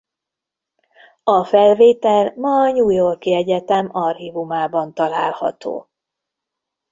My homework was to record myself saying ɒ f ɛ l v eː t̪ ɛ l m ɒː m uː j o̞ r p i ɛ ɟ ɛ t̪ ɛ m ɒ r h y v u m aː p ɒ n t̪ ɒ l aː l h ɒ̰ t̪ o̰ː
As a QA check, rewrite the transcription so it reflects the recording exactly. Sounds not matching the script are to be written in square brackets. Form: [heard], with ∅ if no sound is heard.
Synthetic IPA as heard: ɒ f ɛ l v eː t̪ ɛ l m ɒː [ɲ] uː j o̞ r [k] i ɛ ɟ ɛ t̪ ɛ m ɒ r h [i] v u m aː [b] ɒ n t̪ ɒ l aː l h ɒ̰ t̪ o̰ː